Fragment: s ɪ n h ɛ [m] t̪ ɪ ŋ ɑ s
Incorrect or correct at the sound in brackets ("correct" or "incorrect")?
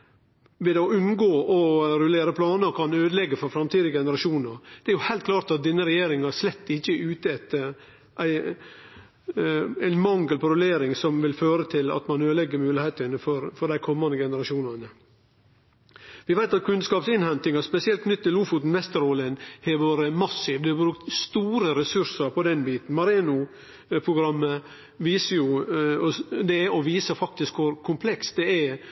incorrect